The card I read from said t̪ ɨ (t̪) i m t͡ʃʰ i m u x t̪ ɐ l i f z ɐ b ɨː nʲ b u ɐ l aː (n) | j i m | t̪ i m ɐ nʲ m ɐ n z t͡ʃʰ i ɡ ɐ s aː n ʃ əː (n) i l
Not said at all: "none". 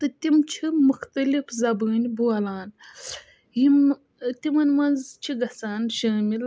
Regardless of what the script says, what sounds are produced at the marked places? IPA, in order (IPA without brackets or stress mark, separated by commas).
t̪, n, m